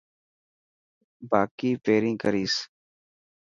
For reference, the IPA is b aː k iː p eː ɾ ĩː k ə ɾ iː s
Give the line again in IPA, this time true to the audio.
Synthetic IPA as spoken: b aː k iː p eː ɾ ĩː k ə ɾ iː s